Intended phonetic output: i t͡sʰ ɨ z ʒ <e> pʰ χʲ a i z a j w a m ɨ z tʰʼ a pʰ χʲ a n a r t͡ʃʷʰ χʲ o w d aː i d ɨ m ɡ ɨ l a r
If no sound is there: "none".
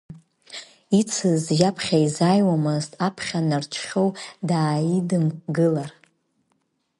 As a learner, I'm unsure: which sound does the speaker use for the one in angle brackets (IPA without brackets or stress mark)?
a